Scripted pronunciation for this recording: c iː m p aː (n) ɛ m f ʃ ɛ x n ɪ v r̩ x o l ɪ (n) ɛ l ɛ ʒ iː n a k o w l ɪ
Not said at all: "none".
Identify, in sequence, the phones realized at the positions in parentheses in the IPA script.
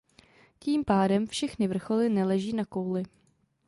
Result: d, n

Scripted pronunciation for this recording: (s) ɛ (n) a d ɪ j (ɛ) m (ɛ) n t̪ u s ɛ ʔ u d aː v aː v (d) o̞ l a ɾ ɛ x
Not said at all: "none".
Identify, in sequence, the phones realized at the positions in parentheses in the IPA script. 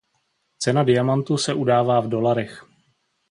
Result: t͡s, n, a, a, d

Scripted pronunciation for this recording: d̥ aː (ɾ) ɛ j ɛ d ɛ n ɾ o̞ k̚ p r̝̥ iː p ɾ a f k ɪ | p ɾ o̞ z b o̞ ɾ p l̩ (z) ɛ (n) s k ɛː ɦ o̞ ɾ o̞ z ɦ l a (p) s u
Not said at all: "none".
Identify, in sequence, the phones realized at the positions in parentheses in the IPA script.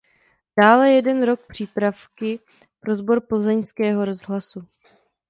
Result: l, z, ɲ, none

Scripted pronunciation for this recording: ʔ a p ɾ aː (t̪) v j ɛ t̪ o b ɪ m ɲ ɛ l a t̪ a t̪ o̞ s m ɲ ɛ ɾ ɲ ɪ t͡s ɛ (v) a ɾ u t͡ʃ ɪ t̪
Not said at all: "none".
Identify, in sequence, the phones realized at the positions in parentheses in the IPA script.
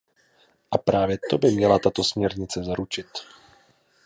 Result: none, z

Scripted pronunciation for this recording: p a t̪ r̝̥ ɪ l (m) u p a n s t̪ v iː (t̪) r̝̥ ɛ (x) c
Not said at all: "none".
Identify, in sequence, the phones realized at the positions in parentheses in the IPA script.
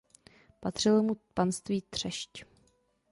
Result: m, t̪, ʃ

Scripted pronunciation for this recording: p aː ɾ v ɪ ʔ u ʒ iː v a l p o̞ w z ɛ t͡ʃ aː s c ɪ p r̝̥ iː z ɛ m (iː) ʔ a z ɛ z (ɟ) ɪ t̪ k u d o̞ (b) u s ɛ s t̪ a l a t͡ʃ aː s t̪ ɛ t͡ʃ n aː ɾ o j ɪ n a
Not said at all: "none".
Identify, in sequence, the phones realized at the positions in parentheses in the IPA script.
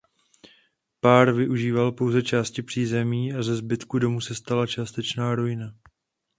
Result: iː, b, m

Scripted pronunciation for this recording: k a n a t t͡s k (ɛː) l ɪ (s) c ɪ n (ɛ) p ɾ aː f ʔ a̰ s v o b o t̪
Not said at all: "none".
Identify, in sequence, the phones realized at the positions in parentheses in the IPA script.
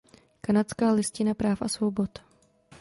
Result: aː, s, a

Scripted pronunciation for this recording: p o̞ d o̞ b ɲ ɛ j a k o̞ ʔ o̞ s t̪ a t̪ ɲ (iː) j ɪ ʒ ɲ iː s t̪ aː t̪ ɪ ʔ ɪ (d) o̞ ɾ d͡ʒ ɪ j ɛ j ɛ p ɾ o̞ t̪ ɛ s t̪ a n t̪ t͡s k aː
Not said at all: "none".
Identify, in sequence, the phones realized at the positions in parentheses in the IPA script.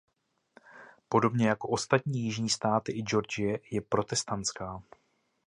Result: iː, d͡ʒ

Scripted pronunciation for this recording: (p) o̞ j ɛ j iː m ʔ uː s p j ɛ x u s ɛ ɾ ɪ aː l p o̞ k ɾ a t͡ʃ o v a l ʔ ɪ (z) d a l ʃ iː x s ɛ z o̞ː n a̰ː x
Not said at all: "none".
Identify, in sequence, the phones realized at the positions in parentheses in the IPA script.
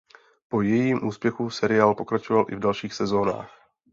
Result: p, v

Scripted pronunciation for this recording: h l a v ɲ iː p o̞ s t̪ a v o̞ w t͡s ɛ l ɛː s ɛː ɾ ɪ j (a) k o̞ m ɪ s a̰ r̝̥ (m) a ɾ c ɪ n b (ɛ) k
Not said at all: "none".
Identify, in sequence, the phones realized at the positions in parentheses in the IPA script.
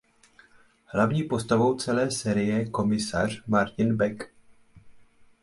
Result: ɛ, m, ɛ

